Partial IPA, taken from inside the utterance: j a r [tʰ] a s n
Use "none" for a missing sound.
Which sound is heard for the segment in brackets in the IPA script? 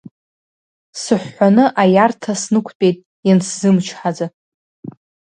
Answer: tʰ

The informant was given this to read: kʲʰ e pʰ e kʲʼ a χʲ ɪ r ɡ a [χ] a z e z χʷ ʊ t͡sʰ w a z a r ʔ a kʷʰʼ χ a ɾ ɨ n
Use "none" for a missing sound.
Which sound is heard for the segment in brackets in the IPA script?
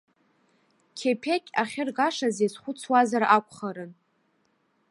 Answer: ʂ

